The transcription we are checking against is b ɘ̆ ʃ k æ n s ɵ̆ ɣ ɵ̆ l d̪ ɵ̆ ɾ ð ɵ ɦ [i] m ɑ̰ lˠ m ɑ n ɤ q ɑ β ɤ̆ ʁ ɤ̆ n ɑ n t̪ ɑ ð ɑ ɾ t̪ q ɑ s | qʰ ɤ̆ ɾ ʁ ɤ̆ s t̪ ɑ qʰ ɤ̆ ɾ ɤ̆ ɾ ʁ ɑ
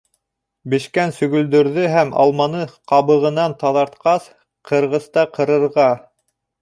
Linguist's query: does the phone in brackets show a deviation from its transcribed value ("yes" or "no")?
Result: yes